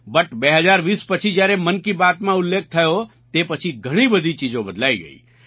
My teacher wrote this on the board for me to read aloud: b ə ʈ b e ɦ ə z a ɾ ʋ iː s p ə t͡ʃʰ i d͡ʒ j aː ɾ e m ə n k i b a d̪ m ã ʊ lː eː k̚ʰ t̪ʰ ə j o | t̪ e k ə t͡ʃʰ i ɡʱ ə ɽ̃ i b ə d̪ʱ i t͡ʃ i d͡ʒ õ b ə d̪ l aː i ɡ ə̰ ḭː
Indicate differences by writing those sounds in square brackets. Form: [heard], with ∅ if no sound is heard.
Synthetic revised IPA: b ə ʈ b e ɦ ə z a ɾ ʋ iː s p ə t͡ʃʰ i d͡ʒ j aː ɾ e m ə n k i b a [t̪] m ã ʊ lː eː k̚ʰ t̪ʰ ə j o | t̪ e [p] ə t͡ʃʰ i ɡʱ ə ɽ̃ i b ə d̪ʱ i t͡ʃ i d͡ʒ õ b ə d̪ l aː i ɡ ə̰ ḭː